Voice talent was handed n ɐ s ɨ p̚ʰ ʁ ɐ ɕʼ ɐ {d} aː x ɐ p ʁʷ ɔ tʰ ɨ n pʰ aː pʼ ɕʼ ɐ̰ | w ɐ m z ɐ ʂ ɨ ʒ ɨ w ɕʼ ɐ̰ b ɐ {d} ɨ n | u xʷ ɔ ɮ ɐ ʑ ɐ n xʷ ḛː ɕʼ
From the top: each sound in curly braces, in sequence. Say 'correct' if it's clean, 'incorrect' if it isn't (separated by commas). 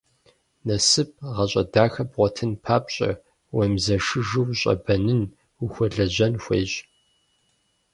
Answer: correct, incorrect